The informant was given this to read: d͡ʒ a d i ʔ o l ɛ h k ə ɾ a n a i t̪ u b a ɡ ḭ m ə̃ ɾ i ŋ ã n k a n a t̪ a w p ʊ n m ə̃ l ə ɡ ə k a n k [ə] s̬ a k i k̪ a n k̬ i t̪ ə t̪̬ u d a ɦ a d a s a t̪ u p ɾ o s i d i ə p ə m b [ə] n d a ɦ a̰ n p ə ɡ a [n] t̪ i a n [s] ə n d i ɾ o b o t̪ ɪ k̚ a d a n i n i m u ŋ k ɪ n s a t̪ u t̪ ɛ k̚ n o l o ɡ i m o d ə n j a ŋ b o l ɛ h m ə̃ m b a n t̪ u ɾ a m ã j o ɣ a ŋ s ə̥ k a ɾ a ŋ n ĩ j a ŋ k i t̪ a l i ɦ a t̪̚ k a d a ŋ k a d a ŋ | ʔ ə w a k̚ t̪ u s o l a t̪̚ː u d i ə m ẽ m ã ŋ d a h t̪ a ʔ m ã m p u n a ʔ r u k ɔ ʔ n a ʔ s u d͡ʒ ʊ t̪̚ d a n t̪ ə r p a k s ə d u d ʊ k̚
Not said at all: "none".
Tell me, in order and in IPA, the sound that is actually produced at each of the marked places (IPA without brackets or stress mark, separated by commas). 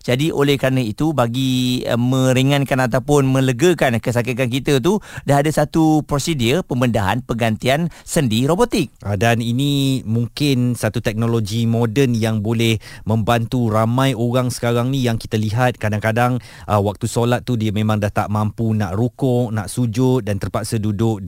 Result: ə, ə, n, s